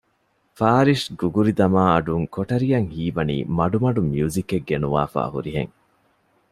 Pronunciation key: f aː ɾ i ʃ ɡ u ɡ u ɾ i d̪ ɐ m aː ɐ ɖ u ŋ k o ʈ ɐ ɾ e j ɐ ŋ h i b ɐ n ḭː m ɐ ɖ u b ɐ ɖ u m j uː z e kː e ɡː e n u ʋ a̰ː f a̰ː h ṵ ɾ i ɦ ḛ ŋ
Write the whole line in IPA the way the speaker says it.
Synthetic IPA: f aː ɾ i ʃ ɡ u ɡ u ɾ i d̪ ɐ m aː ɐ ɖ u ŋ k o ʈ ɐ ɾ i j ɐ ŋ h iː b ɐ n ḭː m ɐ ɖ u m ɐ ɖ u m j uː z i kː e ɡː e n u ʋ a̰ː f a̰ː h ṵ ɾ i ɦ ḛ ŋ